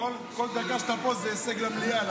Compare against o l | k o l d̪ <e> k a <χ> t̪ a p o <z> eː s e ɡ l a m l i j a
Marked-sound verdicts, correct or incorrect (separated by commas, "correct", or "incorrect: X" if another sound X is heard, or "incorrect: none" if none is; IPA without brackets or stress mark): incorrect: a, incorrect: ʃ, correct